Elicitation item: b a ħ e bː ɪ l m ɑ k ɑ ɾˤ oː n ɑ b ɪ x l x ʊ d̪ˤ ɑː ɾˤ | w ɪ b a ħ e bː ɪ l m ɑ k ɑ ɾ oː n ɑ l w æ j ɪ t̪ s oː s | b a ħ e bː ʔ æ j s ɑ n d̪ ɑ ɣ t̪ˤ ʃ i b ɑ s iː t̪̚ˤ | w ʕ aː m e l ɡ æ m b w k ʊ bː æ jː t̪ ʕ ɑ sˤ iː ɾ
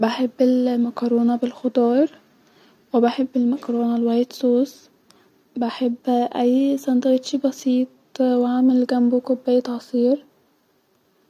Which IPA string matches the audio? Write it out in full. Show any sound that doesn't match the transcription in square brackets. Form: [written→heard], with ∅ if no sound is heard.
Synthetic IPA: b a ħ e bː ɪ l m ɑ k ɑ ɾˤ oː n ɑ b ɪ [x→∅] l x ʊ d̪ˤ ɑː ɾˤ | w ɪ b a ħ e bː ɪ l m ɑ k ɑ ɾ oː n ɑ l w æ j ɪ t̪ s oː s | b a ħ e bː ʔ æ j s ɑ n d̪ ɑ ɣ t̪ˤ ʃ i b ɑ s iː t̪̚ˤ | w ʕ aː m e l ɡ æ m b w k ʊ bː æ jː t̪ ʕ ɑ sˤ iː ɾ